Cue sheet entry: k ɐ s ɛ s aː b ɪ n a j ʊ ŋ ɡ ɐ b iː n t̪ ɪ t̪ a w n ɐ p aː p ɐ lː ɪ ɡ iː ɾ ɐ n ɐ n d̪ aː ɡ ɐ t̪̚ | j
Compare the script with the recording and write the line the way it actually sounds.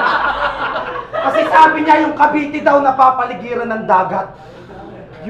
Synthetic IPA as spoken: k ɐ s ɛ s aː b ɪ ɲ a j ʊ ŋ k ɐ b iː t̪ ɪ d̪ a w n ɐ p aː p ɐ l ɪ ɡ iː ɾ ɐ n ɐ ŋ d̪ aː ɡ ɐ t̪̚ | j